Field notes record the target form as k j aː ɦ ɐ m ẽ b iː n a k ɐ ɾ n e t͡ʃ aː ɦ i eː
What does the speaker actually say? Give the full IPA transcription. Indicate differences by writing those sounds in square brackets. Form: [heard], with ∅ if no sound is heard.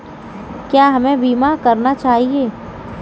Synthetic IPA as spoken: k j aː ɦ ɐ m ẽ b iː [m] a k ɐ ɾ n [a] t͡ʃ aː ɦ i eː